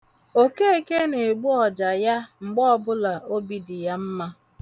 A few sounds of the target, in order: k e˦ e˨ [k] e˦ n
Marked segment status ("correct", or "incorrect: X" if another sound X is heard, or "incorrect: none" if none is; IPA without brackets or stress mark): correct